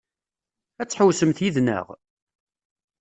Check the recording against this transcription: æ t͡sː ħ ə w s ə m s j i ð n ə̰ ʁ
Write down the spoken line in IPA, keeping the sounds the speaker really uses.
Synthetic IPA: æ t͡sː ħ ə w s ə m θ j i ð n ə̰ ʁ